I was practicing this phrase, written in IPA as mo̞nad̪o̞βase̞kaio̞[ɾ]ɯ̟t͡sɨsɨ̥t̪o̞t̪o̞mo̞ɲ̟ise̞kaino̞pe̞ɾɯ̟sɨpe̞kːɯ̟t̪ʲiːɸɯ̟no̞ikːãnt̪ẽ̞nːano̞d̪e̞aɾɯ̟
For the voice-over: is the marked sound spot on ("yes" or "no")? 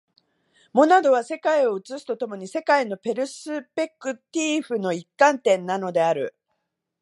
no